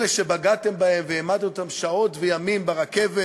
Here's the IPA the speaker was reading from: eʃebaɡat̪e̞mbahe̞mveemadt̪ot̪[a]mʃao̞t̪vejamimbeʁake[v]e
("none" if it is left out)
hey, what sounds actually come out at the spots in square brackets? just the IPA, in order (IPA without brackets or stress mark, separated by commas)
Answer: a, v